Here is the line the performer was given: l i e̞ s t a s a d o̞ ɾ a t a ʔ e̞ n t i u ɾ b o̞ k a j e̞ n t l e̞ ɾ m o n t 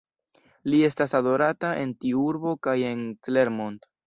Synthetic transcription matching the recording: l i e̞ s t a s a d o̞ ɾ a t a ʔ e̞ n t i u ɾ b o̞ k a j e̞ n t l e̞ ɾ m o n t